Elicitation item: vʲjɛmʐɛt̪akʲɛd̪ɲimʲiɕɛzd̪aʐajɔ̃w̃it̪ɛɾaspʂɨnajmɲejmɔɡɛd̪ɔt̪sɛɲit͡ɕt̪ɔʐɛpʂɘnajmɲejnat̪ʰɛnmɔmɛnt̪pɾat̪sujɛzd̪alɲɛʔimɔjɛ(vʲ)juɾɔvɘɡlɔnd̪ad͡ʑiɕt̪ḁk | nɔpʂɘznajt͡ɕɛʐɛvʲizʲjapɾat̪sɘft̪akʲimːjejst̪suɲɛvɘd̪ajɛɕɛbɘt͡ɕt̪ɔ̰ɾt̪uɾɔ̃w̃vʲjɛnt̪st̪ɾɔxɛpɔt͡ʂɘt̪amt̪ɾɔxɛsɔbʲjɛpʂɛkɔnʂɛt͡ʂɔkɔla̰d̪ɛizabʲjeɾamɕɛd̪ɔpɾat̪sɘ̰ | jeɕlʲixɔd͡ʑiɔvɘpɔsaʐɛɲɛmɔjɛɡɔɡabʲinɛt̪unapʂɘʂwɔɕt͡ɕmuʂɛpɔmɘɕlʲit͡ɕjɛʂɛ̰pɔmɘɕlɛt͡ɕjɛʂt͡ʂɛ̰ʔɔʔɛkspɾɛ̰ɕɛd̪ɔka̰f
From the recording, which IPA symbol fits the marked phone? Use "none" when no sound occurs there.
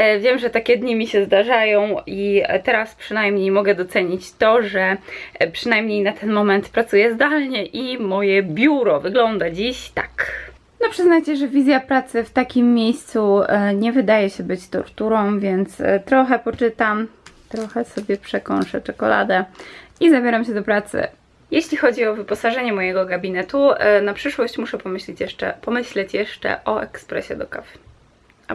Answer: bʲ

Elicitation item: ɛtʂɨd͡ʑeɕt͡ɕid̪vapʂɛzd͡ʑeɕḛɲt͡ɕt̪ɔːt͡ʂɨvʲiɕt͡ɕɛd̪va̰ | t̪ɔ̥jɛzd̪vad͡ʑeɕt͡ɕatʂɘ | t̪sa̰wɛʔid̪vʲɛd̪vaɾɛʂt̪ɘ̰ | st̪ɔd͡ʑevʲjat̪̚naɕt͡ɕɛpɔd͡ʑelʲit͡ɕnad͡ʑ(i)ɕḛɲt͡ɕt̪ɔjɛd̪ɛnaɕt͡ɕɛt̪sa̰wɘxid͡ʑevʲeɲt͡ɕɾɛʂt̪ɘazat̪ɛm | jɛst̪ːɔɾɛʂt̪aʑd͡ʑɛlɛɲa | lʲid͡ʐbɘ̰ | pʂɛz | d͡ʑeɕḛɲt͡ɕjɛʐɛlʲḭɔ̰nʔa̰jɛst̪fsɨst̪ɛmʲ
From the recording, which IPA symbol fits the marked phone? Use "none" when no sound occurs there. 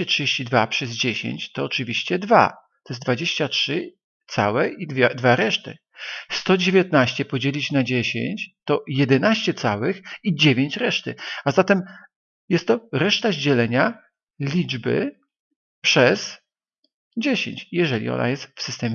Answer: e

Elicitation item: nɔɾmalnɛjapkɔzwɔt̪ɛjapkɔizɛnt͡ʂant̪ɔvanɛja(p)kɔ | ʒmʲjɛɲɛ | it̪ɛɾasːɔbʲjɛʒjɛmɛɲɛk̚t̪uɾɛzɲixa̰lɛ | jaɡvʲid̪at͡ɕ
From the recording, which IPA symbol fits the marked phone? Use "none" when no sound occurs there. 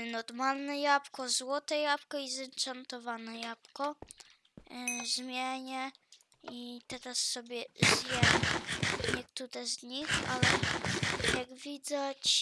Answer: p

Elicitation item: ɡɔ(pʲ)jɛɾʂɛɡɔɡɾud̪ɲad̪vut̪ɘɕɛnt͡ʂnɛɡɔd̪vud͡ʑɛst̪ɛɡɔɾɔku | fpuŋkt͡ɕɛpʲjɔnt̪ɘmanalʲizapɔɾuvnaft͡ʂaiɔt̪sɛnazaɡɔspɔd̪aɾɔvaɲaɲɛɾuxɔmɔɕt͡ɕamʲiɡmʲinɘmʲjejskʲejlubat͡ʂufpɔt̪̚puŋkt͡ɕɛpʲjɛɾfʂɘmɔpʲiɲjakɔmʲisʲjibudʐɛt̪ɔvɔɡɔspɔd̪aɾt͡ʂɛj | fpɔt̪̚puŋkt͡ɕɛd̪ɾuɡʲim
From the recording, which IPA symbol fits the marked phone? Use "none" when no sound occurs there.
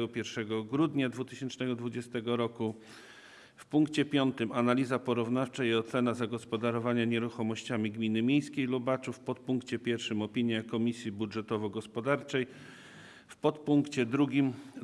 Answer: pʲ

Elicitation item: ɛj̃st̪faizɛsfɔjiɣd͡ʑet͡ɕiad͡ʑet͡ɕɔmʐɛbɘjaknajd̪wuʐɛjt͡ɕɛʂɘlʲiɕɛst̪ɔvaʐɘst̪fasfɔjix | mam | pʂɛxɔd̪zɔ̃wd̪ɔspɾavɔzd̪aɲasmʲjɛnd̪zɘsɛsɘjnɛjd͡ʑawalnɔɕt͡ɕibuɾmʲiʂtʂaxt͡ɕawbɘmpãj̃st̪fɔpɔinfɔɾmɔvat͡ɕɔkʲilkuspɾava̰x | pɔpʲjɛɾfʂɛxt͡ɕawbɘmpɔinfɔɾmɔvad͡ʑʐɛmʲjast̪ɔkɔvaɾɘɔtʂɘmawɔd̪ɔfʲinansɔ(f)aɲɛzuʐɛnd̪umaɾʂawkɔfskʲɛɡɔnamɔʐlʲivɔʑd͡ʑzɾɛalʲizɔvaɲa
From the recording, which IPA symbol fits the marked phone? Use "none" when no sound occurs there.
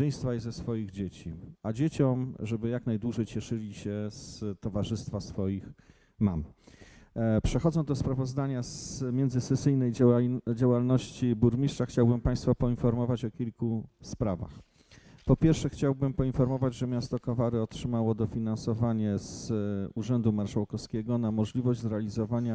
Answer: v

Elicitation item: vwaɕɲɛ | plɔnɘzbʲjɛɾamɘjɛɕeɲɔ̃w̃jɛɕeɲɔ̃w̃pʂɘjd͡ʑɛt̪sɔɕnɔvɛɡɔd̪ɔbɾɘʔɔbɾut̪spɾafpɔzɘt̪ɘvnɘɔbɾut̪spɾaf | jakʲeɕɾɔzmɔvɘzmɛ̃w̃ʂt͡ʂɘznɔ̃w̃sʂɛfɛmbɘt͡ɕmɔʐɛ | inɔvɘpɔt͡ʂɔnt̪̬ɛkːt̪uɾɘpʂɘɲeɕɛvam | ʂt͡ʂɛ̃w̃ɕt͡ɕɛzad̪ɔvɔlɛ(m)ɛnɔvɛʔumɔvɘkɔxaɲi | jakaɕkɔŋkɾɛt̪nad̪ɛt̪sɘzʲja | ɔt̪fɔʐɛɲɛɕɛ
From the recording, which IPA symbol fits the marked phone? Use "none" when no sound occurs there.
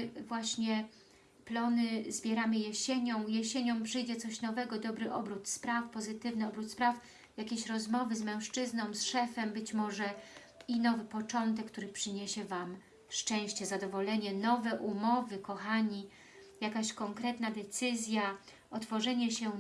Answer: ɲ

